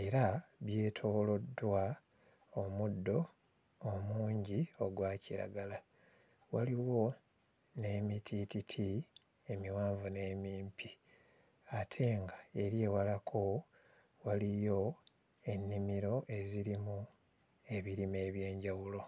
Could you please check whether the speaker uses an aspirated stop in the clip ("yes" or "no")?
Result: yes